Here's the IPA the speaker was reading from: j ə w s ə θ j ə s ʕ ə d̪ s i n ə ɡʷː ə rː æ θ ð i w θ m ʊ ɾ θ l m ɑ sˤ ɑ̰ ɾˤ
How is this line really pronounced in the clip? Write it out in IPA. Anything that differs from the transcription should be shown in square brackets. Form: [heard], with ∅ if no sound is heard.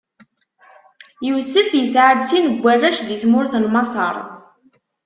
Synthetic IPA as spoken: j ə w s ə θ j ə s ʕ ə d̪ s i n ə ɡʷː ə rː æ [ʃ] ð i [∅] θ m ʊ ɾ θ l m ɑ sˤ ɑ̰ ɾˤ